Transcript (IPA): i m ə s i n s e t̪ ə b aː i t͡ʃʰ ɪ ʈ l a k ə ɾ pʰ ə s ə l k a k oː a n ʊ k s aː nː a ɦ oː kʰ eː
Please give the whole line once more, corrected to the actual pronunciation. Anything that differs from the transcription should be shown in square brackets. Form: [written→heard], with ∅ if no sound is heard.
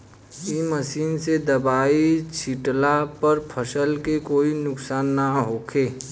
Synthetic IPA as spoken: i m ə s [i→iː] n s e [t̪→d̪] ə b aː i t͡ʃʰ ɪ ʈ l a [k→p] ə ɾ pʰ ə s ə l k [a→e] k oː [a→i] n ʊ k s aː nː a ɦ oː kʰ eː